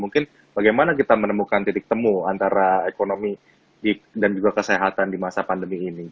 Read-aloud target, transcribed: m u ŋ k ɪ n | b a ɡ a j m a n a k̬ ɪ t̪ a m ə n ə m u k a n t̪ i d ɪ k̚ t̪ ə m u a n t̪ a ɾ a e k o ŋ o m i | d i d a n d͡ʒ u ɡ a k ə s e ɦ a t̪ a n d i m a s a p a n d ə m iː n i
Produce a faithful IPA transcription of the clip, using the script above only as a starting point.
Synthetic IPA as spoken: m u ŋ k ɪ n | b a ɡ a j m a n a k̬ i t̪ a m ə n ə m u k a n t̪ i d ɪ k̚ t̪ ə m u a n t̪ a ɾ a e k o n o m i | d i d a n d͡ʒ u ɡ a k ə s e ɦ a t̪ a n d i m a s a p a n d ə m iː n i